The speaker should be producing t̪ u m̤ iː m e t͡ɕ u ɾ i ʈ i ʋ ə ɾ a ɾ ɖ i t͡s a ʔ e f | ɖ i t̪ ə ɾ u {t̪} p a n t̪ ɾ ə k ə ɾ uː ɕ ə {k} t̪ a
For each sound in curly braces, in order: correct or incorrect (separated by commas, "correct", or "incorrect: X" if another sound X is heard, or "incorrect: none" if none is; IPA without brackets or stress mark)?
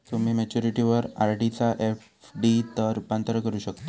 incorrect: none, correct